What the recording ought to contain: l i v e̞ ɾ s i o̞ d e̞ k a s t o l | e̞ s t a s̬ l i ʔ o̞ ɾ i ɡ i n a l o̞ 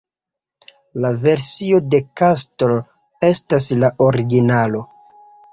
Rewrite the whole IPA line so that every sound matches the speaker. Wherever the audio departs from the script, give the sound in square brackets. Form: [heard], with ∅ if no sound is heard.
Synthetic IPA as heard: l [a] v e̞ ɾ s i o̞ d e̞ k a s t o l | e̞ s t a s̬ l [a] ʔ o̞ ɾ i ɡ i n a l o̞